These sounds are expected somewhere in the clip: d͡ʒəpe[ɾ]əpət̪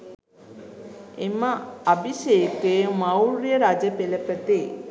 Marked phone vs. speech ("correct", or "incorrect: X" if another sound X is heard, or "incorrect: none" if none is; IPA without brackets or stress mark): incorrect: l